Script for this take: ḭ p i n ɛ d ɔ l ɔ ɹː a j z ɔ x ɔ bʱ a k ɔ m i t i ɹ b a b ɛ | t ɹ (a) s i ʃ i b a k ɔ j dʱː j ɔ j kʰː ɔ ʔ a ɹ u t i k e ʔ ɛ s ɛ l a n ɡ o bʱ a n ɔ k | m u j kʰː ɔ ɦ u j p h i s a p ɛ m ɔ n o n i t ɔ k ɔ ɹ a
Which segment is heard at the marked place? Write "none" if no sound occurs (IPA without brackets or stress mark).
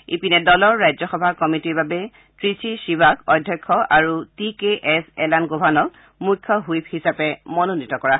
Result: i